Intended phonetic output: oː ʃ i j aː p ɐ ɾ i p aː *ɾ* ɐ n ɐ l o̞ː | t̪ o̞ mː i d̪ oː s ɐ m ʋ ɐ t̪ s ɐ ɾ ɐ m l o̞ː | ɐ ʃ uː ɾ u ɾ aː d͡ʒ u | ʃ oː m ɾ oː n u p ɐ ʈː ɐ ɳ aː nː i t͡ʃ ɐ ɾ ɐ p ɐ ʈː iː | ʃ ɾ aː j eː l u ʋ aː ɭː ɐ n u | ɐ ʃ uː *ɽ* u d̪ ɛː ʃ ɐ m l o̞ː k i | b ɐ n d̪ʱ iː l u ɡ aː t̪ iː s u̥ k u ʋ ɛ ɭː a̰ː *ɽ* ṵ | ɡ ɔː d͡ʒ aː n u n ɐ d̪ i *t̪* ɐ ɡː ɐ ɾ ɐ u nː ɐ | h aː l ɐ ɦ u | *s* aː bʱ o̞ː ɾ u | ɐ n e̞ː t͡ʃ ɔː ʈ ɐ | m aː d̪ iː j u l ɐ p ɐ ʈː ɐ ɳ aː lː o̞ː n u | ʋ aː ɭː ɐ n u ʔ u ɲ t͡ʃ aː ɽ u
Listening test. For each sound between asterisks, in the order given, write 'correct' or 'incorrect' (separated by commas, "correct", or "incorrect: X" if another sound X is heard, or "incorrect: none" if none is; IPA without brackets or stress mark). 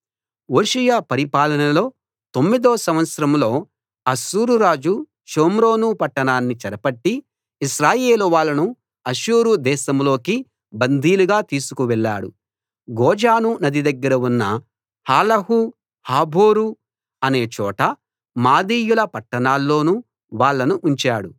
incorrect: l, incorrect: ɾ, correct, incorrect: d̪, incorrect: h